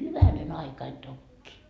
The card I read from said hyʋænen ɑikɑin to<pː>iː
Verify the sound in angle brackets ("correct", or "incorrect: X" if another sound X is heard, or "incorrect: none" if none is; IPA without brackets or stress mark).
incorrect: kː